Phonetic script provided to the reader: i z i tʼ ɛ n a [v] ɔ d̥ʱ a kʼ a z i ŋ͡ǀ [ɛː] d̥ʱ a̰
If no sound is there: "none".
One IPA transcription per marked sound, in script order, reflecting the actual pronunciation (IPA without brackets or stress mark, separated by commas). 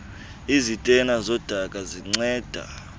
z, ɛː